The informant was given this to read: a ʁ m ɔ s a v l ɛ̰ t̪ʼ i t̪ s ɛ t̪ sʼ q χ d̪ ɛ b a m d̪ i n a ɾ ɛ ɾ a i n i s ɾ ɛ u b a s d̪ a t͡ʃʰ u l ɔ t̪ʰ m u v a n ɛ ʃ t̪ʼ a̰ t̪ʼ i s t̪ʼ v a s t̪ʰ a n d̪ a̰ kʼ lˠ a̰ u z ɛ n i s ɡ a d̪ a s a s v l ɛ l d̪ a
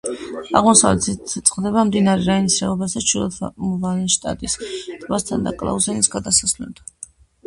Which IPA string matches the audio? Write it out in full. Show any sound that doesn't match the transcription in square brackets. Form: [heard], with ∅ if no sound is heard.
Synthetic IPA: a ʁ m ɔ s a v l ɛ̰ [t̪] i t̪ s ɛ t̪ sʼ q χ d̪ ɛ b a m d̪ i n a ɾ ɛ ɾ a i n i s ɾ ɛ [ɔ] b a s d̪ a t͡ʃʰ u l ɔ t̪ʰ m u v a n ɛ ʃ t̪ʼ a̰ t̪ʼ i s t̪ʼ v a s t̪ʰ a n d̪ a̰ kʼ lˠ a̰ u z ɛ n i s ɡ a d̪ a s a s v l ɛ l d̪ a